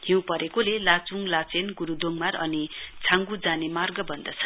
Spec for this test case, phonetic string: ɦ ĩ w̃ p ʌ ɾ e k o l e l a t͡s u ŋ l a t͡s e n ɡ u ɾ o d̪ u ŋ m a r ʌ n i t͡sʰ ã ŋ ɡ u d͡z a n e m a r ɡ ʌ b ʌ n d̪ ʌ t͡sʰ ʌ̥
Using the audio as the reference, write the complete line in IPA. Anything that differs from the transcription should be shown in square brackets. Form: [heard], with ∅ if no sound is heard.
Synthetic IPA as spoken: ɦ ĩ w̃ p ʌ ɾ e k o l e l a t͡s u ŋ l a t͡s e n ɡ u ɾ [u] d̪ [o] ŋ m a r ʌ n i t͡sʰ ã ŋ ɡ u d͡z a n e m a r ɡ ʌ b ʌ n d̪ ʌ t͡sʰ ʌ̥